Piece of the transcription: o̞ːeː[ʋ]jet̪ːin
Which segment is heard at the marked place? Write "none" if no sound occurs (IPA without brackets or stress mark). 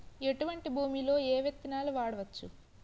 ʋ